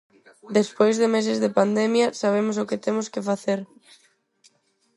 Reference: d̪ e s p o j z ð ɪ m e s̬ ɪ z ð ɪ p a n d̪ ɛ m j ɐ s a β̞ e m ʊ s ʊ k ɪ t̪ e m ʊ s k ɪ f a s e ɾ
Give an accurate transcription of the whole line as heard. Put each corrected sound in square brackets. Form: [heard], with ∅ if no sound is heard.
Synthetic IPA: d̪ e s p o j z ð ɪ m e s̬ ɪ z ð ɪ p a n d̪ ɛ m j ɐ s a β̞ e m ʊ s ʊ k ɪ t̪ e m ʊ s k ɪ f a [θ] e ɾ